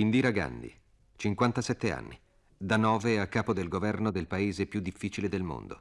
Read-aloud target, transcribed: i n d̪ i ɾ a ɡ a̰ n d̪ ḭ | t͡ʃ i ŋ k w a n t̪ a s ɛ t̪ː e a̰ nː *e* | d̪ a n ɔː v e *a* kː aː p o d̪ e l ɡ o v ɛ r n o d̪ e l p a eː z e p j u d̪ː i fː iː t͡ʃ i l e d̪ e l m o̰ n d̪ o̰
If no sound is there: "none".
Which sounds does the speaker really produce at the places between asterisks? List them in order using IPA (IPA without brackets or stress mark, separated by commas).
i, a